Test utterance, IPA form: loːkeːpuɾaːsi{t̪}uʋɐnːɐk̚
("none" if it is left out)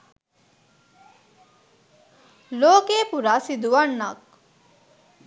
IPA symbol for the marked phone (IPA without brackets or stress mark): d̪